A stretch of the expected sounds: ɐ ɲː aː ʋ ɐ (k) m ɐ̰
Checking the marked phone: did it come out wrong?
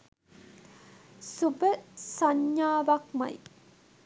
no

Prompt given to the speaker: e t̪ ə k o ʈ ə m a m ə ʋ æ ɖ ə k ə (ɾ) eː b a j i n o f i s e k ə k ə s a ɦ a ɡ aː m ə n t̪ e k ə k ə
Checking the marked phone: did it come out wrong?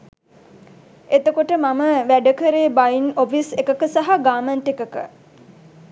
no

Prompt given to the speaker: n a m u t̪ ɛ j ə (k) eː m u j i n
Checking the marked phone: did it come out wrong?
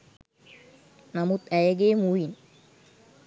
yes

